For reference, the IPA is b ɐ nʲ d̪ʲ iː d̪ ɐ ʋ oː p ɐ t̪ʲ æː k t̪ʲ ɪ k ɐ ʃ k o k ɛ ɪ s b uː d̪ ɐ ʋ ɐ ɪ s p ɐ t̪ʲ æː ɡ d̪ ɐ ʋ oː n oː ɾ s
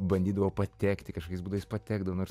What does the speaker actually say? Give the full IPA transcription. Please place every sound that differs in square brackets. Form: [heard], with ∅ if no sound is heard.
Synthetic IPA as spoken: b ɐ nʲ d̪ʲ iː d̪ ɐ ʋ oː p ɐ t̪ʲ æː k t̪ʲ ɪ k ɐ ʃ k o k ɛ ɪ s b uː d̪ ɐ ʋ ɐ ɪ s p ɐ t̪ʲ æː ɡ d̪ ɐ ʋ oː n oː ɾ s